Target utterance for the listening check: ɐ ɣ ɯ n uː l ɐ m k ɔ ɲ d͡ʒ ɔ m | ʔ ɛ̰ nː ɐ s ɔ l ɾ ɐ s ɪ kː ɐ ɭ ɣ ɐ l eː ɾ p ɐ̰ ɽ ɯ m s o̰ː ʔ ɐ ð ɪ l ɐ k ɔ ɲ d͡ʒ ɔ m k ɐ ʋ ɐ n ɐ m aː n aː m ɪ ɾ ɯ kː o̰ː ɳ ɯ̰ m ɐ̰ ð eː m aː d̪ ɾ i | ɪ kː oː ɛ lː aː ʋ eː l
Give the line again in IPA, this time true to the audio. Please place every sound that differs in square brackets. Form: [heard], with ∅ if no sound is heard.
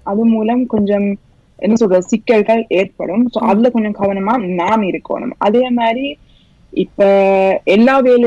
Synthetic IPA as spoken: ɐ [ð] ɯ [m] uː l ɐ m k ɔ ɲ d͡ʒ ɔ m | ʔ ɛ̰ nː ɐ s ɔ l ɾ ɐ s ɪ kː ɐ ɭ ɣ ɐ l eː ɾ p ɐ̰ ɽ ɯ m s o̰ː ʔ ɐ ð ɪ l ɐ k ɔ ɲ d͡ʒ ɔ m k ɐ ʋ ɐ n ɐ m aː n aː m ɪ ɾ ɯ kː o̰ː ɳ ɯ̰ m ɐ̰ ð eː m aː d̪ ɾ i | ɪ [pː] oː ɛ lː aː ʋ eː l